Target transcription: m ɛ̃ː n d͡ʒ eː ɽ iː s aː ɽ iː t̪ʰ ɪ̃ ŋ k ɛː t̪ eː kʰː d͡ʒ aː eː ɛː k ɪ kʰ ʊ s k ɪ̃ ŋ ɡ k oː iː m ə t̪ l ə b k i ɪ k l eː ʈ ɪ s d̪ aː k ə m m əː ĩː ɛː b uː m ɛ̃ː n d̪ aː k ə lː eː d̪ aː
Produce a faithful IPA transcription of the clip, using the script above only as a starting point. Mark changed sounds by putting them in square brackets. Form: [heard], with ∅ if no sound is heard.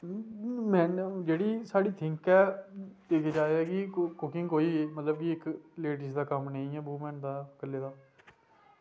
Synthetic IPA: m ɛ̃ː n d͡ʒ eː ɽ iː s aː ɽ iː t̪ʰ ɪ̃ ŋ k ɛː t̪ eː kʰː d͡ʒ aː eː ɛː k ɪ [k] ʊ [∅] k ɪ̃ ŋ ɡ k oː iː m ə t̪ l ə b k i ɪ k l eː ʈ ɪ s d̪ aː k ə m [n] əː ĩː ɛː b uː m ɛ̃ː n d̪ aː k ə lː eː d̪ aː